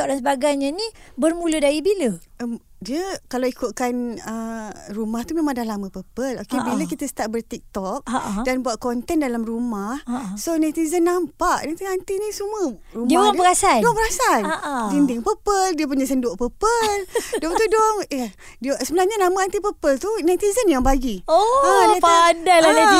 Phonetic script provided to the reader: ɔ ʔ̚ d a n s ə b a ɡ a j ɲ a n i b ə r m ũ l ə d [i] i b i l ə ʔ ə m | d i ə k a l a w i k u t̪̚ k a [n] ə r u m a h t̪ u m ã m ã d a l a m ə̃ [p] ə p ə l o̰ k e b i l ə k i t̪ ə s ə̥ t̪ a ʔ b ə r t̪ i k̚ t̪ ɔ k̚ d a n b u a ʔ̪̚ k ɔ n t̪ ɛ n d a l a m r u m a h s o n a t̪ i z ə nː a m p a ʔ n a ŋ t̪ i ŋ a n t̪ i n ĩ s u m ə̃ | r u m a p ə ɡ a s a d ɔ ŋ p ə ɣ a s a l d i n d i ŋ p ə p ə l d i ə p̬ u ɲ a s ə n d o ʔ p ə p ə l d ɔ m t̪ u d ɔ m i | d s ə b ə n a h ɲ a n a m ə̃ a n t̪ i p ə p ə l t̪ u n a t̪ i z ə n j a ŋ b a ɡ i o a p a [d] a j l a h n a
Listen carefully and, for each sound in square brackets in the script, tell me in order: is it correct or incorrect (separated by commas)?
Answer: incorrect, correct, correct, correct